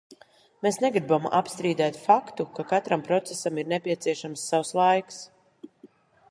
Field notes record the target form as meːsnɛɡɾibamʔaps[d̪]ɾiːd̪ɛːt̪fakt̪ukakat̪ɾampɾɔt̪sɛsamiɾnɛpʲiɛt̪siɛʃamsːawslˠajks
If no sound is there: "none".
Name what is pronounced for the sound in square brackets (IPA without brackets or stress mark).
t̪